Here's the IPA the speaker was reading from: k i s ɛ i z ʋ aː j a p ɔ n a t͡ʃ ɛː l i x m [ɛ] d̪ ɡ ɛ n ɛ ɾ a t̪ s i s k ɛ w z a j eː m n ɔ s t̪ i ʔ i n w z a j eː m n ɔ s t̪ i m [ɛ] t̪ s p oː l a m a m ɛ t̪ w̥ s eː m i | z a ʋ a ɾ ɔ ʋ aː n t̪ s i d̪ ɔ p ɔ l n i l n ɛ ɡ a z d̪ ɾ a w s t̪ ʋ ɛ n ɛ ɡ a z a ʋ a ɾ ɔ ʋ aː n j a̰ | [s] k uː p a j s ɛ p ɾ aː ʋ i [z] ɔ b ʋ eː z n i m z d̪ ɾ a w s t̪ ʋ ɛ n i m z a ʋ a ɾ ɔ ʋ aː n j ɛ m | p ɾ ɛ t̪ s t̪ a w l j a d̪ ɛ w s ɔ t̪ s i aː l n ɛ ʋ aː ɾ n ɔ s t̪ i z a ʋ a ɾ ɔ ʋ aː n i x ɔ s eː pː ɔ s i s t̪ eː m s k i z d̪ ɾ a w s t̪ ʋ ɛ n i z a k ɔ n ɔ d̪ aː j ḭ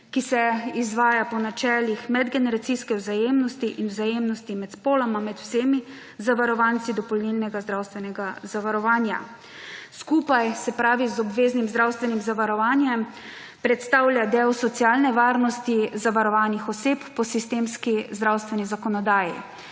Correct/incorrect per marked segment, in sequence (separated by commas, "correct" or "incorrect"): correct, correct, correct, correct